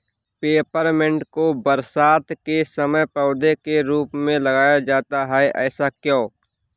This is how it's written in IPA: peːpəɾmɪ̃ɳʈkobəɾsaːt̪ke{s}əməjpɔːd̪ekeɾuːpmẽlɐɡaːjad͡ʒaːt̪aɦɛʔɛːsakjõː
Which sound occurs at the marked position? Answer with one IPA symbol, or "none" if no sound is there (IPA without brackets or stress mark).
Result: s